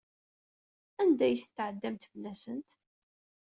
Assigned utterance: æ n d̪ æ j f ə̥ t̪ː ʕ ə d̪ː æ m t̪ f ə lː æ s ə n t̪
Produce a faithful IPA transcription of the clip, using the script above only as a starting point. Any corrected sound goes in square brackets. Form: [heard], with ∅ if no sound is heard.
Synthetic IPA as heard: æ n d̪ æ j [θ] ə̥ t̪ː ʕ ə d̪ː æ m t̪ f ə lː æ s ə n t̪